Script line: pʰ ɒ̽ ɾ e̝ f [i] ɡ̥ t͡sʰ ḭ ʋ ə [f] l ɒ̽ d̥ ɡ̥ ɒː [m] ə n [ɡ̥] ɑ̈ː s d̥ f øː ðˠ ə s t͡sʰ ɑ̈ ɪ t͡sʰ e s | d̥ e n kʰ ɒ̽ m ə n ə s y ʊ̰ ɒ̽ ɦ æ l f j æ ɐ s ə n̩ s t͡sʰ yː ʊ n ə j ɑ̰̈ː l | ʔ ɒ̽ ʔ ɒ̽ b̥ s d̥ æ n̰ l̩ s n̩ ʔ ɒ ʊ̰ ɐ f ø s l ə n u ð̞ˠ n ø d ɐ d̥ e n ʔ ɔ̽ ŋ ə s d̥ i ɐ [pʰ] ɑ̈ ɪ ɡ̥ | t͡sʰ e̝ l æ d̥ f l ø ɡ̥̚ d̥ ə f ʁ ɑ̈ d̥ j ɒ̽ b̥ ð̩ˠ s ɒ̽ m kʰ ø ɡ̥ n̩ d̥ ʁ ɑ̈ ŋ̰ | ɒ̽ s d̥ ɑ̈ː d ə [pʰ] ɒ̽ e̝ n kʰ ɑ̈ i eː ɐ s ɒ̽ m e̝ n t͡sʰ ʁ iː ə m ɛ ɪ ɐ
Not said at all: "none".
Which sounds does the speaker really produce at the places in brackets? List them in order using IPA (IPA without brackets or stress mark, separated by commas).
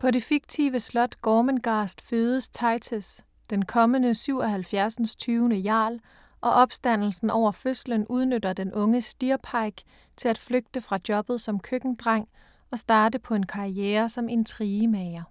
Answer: i, s, m, ɡ̥, pʰ, pʰ